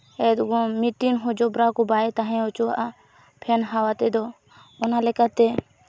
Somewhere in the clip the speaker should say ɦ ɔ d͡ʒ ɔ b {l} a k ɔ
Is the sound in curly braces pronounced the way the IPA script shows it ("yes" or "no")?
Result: no